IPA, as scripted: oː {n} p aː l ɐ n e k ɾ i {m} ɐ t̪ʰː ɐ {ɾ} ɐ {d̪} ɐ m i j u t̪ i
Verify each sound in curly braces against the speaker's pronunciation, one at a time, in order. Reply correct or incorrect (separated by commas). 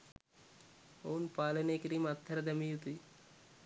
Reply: correct, correct, correct, correct